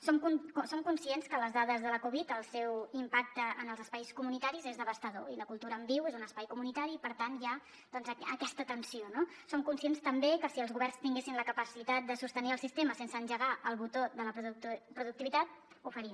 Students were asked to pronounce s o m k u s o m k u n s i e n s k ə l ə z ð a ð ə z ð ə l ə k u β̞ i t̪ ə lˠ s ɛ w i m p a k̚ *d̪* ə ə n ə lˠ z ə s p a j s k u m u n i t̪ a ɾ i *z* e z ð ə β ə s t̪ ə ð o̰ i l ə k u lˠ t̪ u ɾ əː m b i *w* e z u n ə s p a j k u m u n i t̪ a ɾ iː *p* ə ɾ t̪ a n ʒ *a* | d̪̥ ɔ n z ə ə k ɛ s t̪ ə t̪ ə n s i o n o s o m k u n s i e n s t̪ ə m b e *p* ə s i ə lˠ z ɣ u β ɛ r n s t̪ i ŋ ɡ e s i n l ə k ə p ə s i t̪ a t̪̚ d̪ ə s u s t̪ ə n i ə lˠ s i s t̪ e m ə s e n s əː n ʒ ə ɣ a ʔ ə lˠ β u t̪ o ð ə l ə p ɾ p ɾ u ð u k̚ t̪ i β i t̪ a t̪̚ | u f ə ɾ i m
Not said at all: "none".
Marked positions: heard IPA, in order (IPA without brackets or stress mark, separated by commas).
t̪, z, w, p, a, k